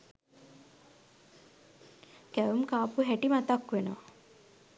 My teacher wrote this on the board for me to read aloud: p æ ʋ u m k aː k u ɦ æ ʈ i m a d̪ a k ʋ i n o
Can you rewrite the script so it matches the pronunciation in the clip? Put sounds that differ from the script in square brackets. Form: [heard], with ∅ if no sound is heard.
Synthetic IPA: [k] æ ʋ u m k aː [p] u ɦ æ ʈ i m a [t̪] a k ʋ [e] n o